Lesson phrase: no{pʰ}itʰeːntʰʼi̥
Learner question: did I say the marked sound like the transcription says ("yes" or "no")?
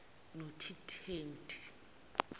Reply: no